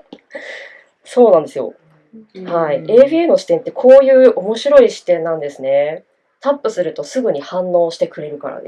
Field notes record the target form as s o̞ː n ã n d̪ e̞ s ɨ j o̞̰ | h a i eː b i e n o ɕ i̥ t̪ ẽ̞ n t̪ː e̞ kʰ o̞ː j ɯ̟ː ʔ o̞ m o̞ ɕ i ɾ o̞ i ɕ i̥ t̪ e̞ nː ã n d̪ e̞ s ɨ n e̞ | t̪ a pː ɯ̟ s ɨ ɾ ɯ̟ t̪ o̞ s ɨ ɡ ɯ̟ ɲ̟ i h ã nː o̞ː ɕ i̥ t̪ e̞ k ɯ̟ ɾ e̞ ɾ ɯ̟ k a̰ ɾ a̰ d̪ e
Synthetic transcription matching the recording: s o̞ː n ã n d̪ e̞ s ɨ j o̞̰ | h a i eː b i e n o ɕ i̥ t̪ ẽ̞ n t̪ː e̞ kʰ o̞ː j ɯ̟ː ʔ o̞ m o̞ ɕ i ɾ o̞ i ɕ i̥ t̪ ẽ̞ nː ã n d̪ e̞ s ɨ n e̞ | t̪ a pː ɯ̟ s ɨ ɾ ɯ̟ t̪ o̞ s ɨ ɡ ɯ̟ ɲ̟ i h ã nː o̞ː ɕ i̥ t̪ e̞ k ɯ̟ ɾ e̞ ɾ ɯ̟ k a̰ ɾ a̰ d̪ e